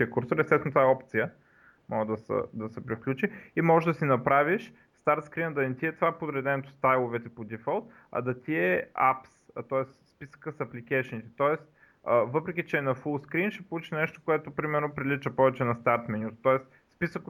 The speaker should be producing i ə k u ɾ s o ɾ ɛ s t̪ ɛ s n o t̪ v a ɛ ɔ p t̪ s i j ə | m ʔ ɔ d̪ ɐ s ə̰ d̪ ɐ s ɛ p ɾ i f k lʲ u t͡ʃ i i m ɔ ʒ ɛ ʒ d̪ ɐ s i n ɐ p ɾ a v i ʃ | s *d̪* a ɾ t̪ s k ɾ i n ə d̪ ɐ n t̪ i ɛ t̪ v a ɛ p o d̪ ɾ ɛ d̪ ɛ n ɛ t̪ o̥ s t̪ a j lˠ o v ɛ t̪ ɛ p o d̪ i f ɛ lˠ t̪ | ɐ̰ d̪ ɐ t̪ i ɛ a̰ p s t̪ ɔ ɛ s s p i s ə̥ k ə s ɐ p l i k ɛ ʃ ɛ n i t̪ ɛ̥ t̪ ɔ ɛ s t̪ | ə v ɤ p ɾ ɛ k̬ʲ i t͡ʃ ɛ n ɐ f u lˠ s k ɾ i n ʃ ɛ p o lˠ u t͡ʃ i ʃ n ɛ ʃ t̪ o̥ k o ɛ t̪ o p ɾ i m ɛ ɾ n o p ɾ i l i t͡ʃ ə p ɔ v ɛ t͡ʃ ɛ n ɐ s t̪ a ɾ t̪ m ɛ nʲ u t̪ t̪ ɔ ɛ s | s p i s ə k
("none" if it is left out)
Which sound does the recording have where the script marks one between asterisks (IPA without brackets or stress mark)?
t̪